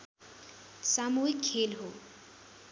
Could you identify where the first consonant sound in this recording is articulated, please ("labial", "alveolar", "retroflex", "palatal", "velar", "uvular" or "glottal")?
alveolar